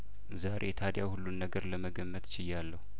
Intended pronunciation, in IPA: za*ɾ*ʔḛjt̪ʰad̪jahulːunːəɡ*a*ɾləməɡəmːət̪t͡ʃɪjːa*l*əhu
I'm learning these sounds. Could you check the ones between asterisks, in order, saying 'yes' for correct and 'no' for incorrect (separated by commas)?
yes, no, no